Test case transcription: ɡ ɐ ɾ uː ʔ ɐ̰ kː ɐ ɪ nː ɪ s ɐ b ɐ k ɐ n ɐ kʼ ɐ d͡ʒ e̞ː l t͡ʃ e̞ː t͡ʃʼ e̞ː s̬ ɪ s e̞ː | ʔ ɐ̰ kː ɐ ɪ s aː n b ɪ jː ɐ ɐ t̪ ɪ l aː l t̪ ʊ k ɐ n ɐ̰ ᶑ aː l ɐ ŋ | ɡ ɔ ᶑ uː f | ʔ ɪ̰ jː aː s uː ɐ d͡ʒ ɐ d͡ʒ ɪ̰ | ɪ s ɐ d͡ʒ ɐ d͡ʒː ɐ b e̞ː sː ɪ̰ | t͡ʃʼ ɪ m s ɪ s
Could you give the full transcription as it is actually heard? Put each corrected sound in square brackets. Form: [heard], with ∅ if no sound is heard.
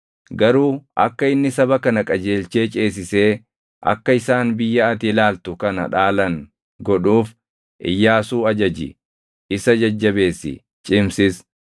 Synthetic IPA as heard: ɡ ɐ ɾ uː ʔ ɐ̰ kː ɐ ɪ nː ɪ s ɐ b ɐ k ɐ n ɐ kʼ ɐ d͡ʒ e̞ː l t͡ʃ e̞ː t͡ʃʼ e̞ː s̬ ɪ s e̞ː | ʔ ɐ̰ kː ɐ ɪ s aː n b ɪ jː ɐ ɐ t̪ ɪ l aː l t̪ ʊ k ɐ n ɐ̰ ᶑ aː l ɐ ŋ | ɡ ɔ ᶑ uː f | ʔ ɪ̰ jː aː s uː ɐ d͡ʒ ɐ d͡ʒ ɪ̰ | ɪ s ɐ d͡ʒ ɐ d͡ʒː ɐ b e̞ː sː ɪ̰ | t͡ʃʼ ɪ m s ɪ s